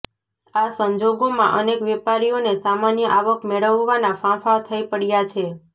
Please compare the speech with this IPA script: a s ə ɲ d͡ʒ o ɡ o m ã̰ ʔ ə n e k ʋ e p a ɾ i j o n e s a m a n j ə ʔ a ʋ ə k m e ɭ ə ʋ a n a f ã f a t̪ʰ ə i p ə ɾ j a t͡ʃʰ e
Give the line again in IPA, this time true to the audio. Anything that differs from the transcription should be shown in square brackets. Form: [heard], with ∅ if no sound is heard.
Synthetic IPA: a s ə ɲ d͡ʒ o ɡ o m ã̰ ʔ ə n e k ʋ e p a ɾ i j o n e s a m a n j ə ʔ a ʋ ə k m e ɭ ə [ʋː] a n a f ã f a t̪ʰ ə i p ə [ɽ] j a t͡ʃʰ e